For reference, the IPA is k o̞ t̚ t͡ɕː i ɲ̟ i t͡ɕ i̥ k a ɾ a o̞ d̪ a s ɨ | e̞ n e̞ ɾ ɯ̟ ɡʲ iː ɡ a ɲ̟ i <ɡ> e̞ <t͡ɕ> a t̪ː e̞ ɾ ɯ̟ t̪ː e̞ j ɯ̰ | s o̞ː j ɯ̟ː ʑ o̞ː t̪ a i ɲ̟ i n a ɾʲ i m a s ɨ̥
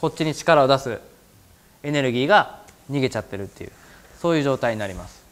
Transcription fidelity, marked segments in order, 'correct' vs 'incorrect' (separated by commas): correct, correct